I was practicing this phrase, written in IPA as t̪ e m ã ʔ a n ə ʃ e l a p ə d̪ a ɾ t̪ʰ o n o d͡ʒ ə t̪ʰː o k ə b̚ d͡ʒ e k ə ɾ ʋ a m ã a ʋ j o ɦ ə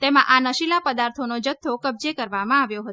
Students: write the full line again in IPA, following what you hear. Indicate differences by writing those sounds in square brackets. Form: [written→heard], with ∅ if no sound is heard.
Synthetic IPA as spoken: t̪ e m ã ʔ a n ə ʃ [e→i] l a p ə d̪ a ɾ t̪ʰ o n o d͡ʒ ə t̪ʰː o k ə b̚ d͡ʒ e k ə ɾ ʋ a m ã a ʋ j o ɦ ə